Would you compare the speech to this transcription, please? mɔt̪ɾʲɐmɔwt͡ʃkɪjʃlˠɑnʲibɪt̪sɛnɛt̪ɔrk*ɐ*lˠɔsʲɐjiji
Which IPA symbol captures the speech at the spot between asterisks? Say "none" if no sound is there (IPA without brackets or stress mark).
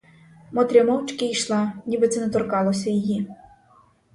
ɑ